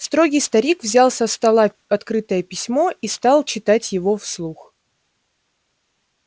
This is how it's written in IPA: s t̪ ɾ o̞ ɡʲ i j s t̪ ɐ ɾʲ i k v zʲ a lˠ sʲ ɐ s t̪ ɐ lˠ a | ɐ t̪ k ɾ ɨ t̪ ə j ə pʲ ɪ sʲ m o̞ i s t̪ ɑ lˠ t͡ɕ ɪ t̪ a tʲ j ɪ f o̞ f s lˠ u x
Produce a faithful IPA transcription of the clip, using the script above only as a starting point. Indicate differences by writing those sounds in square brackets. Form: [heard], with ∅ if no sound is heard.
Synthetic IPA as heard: s t̪ ɾ o̞ ɡʲ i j s t̪ ɐ ɾʲ i k v zʲ a lˠ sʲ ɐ s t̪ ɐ lˠ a | ɐ t̪ k ɾ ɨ t̪ ə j ə pʲ ɪ sʲ m o̞ i s t̪ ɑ lˠ t͡ɕ ɪ t̪ a tʲ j ɪ [v] o̞ f s lˠ u x

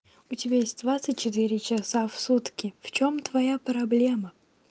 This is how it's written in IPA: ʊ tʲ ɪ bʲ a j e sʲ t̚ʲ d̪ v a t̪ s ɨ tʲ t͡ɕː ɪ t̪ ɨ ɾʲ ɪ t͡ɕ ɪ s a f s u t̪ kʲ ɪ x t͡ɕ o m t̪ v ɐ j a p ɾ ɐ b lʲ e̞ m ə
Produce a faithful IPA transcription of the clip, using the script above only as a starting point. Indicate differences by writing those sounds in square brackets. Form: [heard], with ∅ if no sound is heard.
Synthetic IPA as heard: ʊ tʲ ɪ bʲ a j e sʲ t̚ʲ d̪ v a t̪ s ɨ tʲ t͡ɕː ɪ t̪ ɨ ɾʲ ɪ t͡ɕ ɪ s a f s u t̪ kʲ ɪ [f] t͡ɕ o m t̪ v ɐ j a p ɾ ɐ b lʲ e̞ m ə

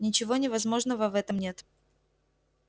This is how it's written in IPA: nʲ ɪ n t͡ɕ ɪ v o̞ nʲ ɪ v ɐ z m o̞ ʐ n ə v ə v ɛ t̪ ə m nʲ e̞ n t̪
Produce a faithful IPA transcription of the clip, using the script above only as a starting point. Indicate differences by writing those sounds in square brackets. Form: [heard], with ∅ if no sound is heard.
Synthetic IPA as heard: nʲ ɪ [∅] t͡ɕ ɪ v o̞ nʲ ɪ v ɐ z m o̞ ʐ n ə v ə v ɛ t̪ ə m nʲ e̞ [∅] t̪

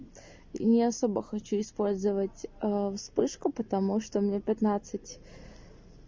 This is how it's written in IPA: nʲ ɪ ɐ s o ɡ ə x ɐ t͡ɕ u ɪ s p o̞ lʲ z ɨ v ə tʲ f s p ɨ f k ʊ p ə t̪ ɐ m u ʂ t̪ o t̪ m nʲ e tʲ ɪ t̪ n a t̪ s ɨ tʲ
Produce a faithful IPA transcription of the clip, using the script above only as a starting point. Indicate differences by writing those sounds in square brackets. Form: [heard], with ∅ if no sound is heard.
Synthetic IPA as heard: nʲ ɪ ɐ s o [b] ə x ɐ t͡ɕ u ɪ s p o̞ lʲ z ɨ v ə tʲ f s p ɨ [ʂ] k ʊ p ə t̪ ɐ m u ʂ t̪ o [∅] m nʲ e [pʲ] ɪ t̪ n a t̪ s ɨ tʲ

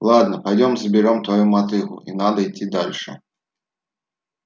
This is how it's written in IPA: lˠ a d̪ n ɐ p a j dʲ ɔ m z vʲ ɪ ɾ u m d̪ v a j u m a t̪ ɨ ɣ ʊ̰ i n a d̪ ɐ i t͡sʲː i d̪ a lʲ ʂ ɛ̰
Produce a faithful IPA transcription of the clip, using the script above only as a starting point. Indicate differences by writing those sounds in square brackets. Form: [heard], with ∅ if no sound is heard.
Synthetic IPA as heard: lˠ a d̪ n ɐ p a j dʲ ɔ m z [bʲ] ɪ ɾ [ɔ] m [t̪] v a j u m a t̪ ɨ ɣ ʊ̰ i n a d̪ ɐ i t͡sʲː i d̪ a lʲ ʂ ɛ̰

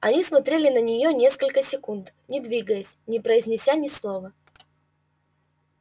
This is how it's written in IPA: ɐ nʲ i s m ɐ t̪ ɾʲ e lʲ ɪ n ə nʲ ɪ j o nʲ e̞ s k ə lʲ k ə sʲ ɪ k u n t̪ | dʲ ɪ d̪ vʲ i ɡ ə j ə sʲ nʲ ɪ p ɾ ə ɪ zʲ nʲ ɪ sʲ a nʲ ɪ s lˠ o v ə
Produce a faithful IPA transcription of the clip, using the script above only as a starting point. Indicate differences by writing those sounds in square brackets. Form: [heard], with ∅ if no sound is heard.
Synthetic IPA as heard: ɐ nʲ i s m ɐ t̪ ɾʲ e lʲ ɪ n ə nʲ ɪ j o nʲ e̞ s k ə lʲ k ə sʲ ɪ k u n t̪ | [nʲ] ɪ d̪ vʲ i ɡ ə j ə sʲ nʲ ɪ p ɾ ə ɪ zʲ nʲ ɪ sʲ a nʲ ɪ s lˠ o v ə

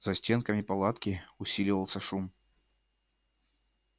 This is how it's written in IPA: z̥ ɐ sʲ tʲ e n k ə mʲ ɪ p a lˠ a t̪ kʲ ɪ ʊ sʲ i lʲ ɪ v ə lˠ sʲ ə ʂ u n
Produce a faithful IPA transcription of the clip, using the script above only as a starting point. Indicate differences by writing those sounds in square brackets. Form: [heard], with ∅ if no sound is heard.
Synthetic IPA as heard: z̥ ɐ sʲ tʲ e n k ə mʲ ɪ p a lˠ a t̪ kʲ ɪ ʊ sʲ i lʲ ɪ v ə lˠ sʲ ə ʂ u [m]

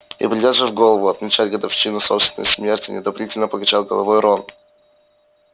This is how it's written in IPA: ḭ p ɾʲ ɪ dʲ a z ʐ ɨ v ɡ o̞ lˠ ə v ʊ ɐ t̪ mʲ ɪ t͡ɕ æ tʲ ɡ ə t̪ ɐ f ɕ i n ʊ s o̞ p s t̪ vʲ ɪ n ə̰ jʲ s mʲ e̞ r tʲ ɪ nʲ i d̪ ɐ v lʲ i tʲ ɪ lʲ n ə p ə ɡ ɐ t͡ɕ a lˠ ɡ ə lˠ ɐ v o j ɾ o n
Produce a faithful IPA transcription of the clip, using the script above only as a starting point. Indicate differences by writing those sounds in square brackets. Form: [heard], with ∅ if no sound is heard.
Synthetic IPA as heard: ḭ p ɾʲ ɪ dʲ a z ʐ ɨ v ɡ o̞ lˠ ə v ʊ ɐ t̪ mʲ ɪ t͡ɕ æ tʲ ɡ ə [d̪] ɐ f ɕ i n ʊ s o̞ p s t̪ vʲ ɪ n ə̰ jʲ s mʲ e̞ r tʲ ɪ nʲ [ɪ] d̪ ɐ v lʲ i tʲ ɪ lʲ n ə p ə ɡ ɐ t͡ɕ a lˠ ɡ ə lˠ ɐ v o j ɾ o n

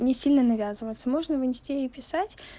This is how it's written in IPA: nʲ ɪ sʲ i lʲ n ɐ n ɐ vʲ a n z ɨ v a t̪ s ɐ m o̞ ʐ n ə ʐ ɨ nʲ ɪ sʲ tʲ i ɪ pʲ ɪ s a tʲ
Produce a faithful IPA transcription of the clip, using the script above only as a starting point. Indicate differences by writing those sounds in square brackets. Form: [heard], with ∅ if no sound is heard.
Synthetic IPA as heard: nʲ ɪ sʲ i lʲ n [ə] n ɐ vʲ a [∅] z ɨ v [ə] t̪ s [ə] m o̞ ʐ n ə [v] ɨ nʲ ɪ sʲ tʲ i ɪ pʲ ɪ s a tʲ

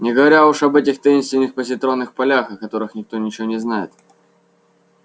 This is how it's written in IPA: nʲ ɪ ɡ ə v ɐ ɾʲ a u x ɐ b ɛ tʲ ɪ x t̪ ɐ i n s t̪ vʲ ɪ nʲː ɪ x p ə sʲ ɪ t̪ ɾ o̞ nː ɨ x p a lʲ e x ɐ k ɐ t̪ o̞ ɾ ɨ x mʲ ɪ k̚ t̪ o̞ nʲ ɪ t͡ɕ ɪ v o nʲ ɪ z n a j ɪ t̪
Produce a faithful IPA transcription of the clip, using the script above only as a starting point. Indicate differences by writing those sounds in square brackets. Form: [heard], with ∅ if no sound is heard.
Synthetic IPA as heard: nʲ ɪ ɡ ə v ɐ ɾʲ a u [ʂ] ɐ b ɛ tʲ ɪ x t̪ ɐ i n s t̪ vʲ ɪ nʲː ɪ x p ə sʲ ɪ t̪ ɾ o̞ nː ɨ x p [ɐ] lʲ [a] x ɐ k ɐ t̪ o̞ ɾ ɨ x [nʲ] ɪ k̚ t̪ o̞ nʲ ɪ t͡ɕ ɪ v o nʲ ɪ z n a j ɪ t̪

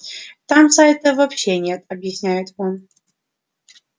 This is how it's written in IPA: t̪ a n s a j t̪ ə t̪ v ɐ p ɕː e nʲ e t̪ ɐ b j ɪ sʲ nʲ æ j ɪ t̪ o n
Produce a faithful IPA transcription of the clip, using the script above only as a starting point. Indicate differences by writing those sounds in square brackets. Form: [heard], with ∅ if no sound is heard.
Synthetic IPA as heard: t̪ a [m] s a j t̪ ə [∅] v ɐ p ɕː e nʲ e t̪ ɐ b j ɪ sʲ nʲ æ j ɪ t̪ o n

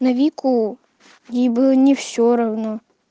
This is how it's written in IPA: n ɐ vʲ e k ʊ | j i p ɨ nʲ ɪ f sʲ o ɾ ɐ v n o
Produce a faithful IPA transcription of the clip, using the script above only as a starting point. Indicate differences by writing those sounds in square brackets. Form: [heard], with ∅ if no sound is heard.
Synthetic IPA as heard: n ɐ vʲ [i] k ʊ | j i [b] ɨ nʲ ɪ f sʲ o ɾ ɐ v n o

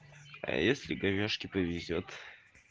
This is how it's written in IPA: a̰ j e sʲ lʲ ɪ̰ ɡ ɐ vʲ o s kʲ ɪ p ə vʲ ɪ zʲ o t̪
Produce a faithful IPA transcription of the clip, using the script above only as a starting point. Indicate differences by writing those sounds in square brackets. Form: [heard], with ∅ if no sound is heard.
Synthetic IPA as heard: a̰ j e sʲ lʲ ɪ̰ ɡ ɐ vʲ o [ʂ] kʲ ɪ p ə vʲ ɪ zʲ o t̪

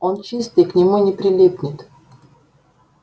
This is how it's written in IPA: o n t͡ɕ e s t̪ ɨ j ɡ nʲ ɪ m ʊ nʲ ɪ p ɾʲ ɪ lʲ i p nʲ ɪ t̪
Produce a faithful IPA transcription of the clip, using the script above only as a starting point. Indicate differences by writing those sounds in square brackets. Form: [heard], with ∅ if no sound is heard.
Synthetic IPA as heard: o n t͡ɕ [i] s t̪ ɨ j [k] nʲ ɪ m [u] nʲ ɪ p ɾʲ ɪ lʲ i p nʲ ɪ t̪

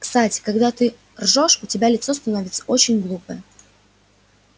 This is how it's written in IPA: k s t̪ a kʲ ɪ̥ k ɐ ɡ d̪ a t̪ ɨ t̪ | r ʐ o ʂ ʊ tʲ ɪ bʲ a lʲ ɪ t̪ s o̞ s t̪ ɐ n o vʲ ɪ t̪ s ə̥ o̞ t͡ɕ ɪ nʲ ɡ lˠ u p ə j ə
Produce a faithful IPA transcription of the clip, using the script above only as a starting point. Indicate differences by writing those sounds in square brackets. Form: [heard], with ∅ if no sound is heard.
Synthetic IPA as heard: k s t̪ a [tʲ] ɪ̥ k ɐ ɡ d̪ a t̪ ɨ [∅] | r ʐ o ʂ ʊ tʲ ɪ bʲ a lʲ ɪ t̪ s o̞ s t̪ ɐ n o vʲ ɪ t̪ s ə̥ o̞ t͡ɕ ɪ nʲ ɡ lˠ u p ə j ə

